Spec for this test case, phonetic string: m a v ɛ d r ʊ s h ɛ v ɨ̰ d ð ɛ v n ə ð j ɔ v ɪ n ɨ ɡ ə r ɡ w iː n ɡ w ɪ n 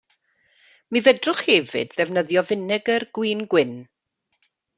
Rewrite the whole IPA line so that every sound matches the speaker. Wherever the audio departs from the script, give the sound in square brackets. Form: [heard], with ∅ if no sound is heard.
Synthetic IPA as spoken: m [i] v ɛ d r ʊ [χ] h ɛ v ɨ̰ d ð ɛ v n ə ð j ɔ v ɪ n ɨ ɡ ə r ɡ w iː n ɡ w ɪ n